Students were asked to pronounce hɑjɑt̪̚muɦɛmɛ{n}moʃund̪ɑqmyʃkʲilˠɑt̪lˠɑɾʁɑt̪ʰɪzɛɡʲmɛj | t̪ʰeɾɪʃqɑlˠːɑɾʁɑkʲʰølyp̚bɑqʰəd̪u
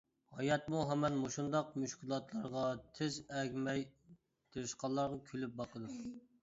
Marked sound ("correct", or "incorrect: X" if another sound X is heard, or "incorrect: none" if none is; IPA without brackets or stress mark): correct